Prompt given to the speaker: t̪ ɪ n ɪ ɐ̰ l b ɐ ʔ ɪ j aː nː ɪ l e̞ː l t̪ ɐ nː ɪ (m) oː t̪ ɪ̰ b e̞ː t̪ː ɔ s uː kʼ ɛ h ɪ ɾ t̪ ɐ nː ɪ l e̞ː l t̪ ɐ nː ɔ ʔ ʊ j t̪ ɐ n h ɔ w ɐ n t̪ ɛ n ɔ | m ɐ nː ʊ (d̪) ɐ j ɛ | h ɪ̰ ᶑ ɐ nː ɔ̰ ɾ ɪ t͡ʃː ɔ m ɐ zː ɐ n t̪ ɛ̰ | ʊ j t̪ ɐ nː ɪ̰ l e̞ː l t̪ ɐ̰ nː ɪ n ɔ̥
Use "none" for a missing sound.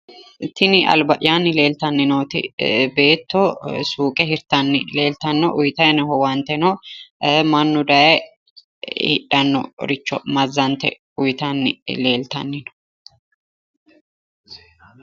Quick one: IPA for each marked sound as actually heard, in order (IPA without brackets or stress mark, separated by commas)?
n, d̪